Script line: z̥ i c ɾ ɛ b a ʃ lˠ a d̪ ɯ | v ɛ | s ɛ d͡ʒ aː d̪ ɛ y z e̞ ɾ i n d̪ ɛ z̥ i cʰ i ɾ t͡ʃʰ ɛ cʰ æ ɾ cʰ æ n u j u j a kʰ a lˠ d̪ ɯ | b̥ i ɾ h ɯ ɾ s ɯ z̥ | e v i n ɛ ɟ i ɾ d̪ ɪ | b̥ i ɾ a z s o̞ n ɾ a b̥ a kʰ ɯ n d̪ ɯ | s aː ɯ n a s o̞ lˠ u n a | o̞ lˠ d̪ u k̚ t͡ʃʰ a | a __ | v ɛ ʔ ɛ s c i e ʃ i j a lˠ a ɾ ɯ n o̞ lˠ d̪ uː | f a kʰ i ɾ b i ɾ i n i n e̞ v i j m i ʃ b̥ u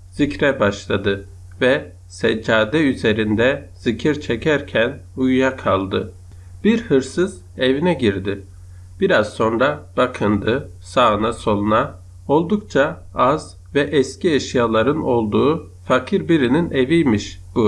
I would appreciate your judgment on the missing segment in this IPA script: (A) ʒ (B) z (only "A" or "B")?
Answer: B